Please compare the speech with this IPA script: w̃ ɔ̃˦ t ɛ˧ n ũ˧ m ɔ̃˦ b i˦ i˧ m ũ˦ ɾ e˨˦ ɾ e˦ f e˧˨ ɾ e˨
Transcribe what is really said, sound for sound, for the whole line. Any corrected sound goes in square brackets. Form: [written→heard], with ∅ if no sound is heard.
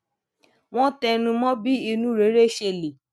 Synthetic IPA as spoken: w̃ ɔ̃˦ t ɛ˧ n ũ˧ m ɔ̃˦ b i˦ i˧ [m→n] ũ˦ ɾ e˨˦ ɾ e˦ [f→ʃ] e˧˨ [ɾ→l] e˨